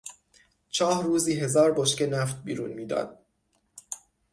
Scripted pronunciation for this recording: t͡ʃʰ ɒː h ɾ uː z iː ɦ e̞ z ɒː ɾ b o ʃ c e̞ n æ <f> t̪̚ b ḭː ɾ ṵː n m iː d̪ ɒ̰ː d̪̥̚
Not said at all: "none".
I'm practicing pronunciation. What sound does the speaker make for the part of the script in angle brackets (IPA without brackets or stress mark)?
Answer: f